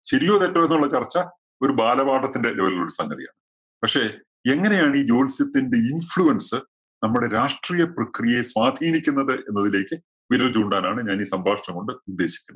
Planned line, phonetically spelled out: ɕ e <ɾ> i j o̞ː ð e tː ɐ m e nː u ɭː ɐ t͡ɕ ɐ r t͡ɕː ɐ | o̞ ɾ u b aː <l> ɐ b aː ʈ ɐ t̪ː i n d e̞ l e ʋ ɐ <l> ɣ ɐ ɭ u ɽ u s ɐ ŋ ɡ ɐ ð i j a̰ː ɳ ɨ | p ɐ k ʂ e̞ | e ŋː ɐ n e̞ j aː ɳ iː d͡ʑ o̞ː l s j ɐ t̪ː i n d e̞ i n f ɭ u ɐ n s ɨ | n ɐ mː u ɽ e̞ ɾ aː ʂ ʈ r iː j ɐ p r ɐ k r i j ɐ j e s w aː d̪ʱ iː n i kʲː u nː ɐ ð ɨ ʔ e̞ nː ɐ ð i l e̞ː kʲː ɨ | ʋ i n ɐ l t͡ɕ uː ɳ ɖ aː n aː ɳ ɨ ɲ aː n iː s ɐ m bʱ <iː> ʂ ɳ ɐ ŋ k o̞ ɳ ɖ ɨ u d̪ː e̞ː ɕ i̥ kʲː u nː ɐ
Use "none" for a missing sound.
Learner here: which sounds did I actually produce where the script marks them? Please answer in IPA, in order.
ɾ, l, l, aː

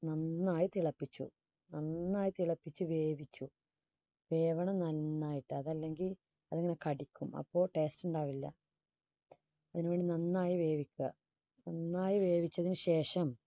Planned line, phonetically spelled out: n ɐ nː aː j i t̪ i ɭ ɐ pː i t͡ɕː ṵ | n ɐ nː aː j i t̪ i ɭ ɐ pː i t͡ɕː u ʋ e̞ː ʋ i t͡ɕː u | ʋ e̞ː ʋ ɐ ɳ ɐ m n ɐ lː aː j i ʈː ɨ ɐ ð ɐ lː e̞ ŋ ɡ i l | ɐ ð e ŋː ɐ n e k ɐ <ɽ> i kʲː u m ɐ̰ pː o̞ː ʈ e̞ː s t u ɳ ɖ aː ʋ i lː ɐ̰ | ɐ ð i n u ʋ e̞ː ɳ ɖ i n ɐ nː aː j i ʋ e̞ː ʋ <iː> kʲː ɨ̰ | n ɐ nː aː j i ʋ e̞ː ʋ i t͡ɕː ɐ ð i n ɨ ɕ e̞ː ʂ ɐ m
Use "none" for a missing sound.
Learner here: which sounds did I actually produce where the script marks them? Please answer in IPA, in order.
ɽ, i

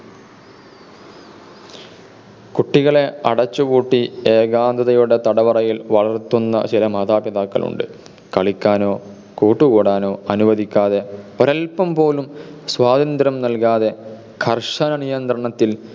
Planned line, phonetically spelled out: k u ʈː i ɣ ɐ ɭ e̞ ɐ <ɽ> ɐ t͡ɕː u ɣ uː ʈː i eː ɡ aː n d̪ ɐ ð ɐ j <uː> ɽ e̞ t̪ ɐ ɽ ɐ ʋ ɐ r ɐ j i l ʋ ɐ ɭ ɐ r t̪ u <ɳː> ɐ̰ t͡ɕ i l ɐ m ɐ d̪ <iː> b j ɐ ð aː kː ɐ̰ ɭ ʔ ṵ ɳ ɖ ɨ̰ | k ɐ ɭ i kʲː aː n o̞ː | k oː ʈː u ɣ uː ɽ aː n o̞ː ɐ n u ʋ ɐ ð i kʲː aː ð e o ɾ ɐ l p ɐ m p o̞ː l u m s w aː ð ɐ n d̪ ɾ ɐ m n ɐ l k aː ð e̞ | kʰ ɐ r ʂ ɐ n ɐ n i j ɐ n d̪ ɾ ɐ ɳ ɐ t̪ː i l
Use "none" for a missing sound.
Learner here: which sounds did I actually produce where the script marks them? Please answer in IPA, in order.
ɽ, u, nː, aː

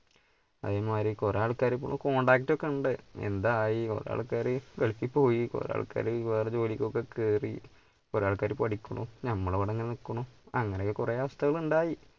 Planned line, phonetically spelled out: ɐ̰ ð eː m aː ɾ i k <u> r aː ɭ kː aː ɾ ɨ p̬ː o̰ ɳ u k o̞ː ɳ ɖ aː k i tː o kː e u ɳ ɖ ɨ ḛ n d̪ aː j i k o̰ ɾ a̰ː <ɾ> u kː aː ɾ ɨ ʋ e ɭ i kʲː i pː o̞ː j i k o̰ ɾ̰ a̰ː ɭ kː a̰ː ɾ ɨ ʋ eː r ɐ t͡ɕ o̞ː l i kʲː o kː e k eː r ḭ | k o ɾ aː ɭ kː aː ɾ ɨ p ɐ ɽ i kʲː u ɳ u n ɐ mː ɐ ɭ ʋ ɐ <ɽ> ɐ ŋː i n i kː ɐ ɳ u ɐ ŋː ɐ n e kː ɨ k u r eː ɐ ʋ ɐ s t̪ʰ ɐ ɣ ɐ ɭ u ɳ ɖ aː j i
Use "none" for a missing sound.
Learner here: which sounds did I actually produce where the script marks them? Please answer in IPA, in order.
o, ɭ, ɽ

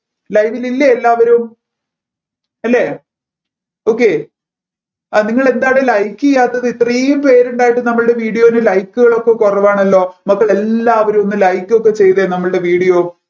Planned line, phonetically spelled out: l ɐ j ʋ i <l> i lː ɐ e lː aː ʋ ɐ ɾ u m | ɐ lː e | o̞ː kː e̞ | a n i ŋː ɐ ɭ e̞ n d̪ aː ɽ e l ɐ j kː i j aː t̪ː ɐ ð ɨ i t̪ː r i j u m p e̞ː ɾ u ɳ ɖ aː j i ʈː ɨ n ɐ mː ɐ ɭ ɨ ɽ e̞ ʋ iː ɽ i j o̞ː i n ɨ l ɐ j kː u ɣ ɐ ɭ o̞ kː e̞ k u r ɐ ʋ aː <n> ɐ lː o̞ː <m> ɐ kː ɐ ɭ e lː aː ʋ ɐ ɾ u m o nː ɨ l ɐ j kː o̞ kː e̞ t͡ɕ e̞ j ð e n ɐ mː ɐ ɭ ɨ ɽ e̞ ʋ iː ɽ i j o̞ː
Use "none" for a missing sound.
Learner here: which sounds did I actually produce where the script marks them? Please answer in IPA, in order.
l, ɳ, m

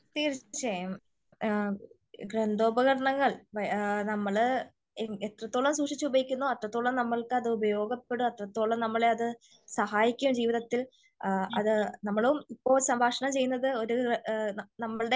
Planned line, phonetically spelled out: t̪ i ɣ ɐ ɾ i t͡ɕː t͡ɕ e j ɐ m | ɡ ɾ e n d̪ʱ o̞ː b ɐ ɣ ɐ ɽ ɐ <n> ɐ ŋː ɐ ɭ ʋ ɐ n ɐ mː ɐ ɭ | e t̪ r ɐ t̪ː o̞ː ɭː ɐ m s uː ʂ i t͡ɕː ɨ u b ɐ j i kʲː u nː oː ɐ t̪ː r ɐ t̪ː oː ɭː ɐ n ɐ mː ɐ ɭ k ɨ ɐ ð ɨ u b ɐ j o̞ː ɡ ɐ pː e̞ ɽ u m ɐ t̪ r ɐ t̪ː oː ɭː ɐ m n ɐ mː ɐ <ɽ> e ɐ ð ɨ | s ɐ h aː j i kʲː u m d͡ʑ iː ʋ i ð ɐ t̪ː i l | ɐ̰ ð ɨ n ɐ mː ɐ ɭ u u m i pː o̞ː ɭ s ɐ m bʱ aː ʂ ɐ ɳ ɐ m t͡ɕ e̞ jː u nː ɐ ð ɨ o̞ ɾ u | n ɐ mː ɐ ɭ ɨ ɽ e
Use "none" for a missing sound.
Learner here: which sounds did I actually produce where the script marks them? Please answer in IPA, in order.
ɳ, ɭ

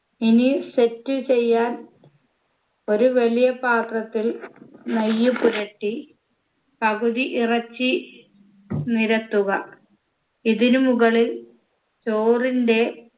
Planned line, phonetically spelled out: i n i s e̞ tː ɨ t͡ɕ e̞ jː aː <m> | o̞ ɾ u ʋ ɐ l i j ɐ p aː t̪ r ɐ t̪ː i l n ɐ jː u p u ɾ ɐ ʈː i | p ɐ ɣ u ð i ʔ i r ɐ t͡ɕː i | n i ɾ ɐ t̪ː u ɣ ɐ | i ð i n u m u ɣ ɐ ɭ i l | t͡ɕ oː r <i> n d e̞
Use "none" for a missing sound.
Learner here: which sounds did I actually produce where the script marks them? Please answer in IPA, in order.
n, i

